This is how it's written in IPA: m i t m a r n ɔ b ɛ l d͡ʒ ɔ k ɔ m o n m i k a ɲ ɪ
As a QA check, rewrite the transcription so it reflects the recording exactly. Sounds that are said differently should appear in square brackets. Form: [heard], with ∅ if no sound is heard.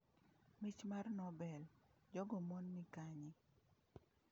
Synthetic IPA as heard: m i [t͡ʃ] m a r n ɔ b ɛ l d͡ʒ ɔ [ɡ] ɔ m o n m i k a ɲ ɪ